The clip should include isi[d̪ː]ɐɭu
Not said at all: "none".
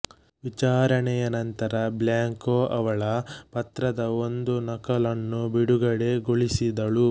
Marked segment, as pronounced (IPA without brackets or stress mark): d̪